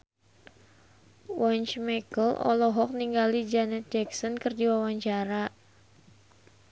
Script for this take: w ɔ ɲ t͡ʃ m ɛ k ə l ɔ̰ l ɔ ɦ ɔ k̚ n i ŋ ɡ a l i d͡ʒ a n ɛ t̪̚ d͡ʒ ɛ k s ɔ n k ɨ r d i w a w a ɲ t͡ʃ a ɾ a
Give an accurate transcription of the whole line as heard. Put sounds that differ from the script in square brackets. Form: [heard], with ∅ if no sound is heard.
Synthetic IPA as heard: w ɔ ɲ t͡ʃ m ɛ k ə l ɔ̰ l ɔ ɦ ɔ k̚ n i ŋ ɡ a l i d͡ʒ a n ɛ t̪̚ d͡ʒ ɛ k s ɔ n k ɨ r d i w a w a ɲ t͡ʃ a ɾ a